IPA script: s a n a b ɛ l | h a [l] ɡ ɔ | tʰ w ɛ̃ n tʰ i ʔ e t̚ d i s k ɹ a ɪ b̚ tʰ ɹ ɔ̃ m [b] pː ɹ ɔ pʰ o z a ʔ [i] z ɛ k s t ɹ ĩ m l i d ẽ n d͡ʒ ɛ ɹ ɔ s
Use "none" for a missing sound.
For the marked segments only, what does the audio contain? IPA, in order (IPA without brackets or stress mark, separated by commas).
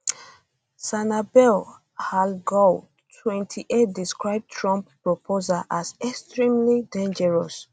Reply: l, p, a